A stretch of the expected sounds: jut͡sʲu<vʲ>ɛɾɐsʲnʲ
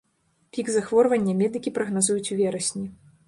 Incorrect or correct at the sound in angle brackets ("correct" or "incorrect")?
correct